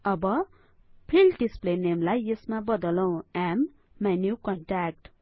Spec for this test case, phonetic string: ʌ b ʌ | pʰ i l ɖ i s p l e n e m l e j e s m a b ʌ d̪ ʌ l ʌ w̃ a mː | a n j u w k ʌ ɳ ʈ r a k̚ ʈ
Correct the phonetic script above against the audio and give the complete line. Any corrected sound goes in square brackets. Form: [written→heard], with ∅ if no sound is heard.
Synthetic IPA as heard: ʌ b ʌ | pʰ i l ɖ i s p l e n e m l [e→a] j e s m a b ʌ d̪ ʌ l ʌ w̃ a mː | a n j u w k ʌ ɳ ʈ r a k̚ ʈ